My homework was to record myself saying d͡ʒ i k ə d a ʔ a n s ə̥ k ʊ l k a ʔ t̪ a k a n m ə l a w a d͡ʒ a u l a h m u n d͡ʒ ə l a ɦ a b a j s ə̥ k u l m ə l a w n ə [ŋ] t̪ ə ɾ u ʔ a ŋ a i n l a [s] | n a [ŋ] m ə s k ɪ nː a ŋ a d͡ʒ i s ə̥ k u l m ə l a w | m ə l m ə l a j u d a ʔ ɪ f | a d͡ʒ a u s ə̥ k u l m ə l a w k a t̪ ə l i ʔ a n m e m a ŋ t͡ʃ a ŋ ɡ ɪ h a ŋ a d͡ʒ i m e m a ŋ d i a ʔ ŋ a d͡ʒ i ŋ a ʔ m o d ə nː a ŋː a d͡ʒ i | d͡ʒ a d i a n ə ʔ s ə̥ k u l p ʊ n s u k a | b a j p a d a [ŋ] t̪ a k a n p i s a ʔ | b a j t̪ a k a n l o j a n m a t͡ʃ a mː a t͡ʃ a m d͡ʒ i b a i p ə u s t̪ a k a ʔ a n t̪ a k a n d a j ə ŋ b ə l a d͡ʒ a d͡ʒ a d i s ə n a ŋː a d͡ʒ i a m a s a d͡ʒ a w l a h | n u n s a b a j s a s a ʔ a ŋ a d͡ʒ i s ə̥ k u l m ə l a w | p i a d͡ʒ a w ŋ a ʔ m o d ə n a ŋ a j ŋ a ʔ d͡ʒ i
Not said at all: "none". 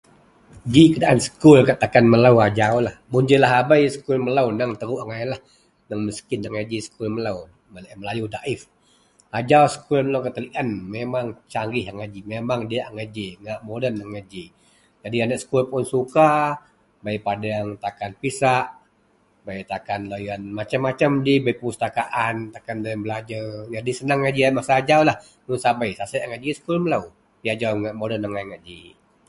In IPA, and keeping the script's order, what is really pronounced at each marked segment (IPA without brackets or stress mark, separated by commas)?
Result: ŋ, h, ŋ, ŋ